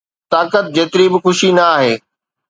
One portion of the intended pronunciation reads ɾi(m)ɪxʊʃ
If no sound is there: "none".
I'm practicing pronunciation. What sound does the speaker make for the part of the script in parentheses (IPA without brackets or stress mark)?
b